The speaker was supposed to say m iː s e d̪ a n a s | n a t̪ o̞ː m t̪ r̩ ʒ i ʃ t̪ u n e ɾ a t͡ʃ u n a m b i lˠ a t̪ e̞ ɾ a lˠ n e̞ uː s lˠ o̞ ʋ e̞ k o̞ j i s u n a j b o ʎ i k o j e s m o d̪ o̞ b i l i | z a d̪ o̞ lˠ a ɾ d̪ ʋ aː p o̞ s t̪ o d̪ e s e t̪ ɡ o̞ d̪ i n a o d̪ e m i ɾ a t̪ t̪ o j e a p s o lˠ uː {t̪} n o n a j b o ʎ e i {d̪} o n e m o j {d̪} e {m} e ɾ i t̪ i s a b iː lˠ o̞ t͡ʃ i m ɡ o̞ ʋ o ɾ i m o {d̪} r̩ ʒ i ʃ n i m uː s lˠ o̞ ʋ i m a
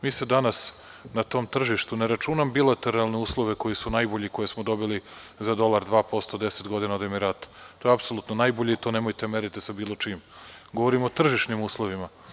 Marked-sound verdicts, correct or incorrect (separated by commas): correct, incorrect, incorrect, correct, incorrect